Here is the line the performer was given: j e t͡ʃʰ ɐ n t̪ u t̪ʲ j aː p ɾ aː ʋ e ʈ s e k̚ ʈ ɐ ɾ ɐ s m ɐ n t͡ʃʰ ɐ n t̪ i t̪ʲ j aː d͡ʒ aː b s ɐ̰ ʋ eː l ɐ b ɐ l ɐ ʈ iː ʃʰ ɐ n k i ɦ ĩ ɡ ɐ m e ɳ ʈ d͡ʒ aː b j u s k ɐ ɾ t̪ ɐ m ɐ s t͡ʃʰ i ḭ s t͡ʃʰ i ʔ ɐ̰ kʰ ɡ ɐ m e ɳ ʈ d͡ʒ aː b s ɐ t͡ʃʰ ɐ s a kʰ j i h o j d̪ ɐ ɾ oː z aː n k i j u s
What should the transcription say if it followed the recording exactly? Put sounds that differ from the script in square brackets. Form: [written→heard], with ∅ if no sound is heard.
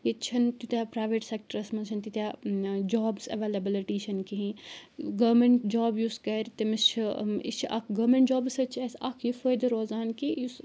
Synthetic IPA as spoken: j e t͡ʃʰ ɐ n t̪ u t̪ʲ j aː p ɾ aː ʋ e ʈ s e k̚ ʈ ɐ ɾ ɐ s m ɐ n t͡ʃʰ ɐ n t̪ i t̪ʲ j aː d͡ʒ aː b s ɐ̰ ʋ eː l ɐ b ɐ l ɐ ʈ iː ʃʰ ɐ n k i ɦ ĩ ɡ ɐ m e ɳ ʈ d͡ʒ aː b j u s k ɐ ɾ t̪ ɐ m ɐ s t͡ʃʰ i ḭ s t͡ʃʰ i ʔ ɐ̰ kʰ ɡ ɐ m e ɳ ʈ d͡ʒ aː b s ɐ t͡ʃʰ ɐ s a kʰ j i [h→f] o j d̪ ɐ ɾ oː z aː n k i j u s

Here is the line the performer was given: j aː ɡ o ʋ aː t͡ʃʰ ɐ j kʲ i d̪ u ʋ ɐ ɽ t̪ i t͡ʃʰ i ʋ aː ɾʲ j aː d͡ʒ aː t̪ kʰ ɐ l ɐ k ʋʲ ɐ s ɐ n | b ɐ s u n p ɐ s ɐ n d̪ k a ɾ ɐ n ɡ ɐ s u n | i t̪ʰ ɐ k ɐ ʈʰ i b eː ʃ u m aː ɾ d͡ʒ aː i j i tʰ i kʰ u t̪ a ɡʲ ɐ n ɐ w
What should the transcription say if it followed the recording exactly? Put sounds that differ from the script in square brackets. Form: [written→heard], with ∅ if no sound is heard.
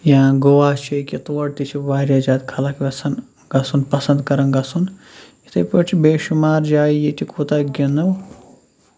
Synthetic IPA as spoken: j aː ɡ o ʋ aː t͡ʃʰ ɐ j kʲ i [d̪→t̪] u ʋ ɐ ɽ t̪ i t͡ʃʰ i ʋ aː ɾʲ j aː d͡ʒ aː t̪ kʰ ɐ l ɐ k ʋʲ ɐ s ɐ n | [b→ɡ] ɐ s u n p ɐ s ɐ n d̪ k [a→ɐ] ɾ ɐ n ɡ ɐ s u n | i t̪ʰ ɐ [k→p] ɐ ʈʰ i b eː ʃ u m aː ɾ d͡ʒ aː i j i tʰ i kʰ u t̪ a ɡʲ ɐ n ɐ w

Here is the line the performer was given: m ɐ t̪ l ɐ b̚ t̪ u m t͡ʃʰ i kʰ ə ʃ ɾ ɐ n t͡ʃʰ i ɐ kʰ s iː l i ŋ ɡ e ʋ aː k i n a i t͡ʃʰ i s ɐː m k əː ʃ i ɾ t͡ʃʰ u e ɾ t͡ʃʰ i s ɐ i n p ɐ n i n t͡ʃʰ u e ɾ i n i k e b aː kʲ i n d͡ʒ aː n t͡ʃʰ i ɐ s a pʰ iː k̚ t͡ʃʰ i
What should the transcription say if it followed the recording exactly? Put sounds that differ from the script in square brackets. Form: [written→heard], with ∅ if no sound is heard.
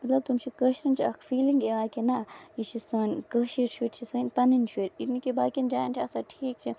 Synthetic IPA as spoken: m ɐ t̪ l ɐ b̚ t̪ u m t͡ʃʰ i [kʰ→k] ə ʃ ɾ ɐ n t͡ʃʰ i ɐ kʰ [s→f] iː l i ŋ ɡ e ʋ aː k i n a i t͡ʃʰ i s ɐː [m→n] k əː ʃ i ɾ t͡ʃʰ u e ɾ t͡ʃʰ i s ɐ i n p ɐ n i n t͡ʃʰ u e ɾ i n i k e b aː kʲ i n d͡ʒ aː n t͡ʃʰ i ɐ s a [pʰ→ʈʰ] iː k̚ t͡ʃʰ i

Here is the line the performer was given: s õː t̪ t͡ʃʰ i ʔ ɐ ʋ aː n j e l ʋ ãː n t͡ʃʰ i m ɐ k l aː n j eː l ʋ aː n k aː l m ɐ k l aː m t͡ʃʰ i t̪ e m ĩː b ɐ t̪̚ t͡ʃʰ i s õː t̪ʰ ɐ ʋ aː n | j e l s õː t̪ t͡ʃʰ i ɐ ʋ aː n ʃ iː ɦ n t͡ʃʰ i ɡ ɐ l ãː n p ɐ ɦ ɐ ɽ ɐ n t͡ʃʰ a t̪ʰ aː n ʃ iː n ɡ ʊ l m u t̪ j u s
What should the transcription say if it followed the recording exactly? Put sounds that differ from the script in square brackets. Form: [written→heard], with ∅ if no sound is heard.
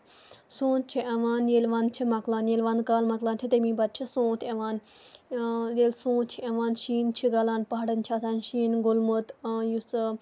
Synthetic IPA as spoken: s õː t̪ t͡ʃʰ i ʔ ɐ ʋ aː n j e l ʋ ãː n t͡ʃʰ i m ɐ k l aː n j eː l ʋ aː n k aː l m ɐ k l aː [m→n] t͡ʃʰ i t̪ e m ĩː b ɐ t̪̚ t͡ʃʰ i s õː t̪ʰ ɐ ʋ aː n | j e l s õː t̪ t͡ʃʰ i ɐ ʋ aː n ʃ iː [ɦ→∅] n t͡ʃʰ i ɡ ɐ l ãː n p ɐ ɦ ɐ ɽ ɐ n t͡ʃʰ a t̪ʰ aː n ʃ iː n ɡ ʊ l m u t̪ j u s

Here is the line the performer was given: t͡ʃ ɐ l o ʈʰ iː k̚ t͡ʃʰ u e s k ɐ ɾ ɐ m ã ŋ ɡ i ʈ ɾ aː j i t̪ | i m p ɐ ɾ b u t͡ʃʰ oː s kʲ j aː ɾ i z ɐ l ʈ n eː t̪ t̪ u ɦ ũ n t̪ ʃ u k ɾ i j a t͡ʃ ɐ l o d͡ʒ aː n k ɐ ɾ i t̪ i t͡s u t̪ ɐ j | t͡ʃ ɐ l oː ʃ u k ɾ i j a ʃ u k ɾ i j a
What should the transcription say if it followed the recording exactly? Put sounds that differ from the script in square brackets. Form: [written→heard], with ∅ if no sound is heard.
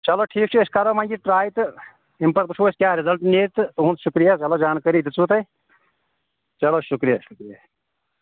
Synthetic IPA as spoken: t͡ʃ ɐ l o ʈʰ iː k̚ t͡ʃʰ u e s k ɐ ɾ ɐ m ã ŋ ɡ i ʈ ɾ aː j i t̪ | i m p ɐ ɾ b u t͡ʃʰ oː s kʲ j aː ɾ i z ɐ l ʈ n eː t̪ t̪ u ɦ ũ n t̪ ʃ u k ɾ i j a t͡ʃ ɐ l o d͡ʒ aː n k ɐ ɾ i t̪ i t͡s u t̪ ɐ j | t͡ʃ ɐ l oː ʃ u k ɾ i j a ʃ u k ɾ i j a

